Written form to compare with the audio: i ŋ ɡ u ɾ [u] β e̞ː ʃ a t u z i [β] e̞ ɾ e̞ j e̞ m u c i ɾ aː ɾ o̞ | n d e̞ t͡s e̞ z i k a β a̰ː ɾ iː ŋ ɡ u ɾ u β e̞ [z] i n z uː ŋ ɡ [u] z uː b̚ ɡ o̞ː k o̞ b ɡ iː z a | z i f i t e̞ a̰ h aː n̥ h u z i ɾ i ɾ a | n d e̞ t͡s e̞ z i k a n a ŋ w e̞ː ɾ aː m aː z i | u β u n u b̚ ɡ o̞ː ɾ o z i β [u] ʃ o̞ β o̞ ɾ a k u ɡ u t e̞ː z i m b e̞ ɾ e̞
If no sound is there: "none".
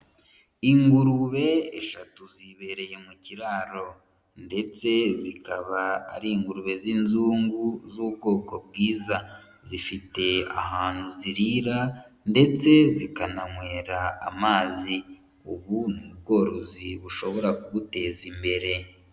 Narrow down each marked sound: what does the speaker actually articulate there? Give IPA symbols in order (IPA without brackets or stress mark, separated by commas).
u, β, z, u, u